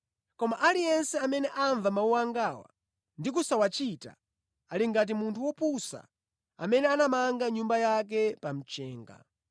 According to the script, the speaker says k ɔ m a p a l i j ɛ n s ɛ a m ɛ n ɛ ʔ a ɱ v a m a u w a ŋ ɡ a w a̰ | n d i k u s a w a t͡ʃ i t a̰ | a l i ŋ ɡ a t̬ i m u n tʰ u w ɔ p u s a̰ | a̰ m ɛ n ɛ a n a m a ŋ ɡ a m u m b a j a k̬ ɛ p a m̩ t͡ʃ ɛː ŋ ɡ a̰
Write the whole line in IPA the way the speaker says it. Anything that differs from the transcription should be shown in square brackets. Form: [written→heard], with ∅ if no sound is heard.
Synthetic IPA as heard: k ɔ m a [p→ʔ] a l i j ɛ n s ɛ a m ɛ n ɛ ʔ a ɱ v a m a u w a ŋ ɡ a w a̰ | n d i k u s a w a t͡ʃ i t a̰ | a l i ŋ ɡ a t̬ i m u n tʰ u w ɔ p u s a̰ | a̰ m ɛ n ɛ a n a m a ŋ ɡ a [m→ɲ] u m b a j a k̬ ɛ p a m̩ t͡ʃ ɛː ŋ ɡ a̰